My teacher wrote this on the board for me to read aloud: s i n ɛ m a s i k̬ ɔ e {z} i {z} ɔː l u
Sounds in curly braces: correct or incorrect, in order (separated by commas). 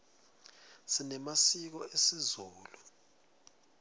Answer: incorrect, correct